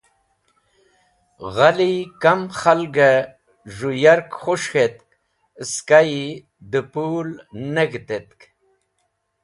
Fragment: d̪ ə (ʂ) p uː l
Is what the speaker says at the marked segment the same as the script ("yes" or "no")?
no